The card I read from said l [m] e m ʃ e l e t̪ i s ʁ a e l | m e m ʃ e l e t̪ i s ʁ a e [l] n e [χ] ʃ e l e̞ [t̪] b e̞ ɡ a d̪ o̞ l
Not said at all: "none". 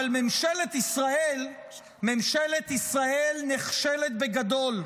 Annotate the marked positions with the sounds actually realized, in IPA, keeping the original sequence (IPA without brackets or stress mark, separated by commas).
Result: m, l, χ, t̪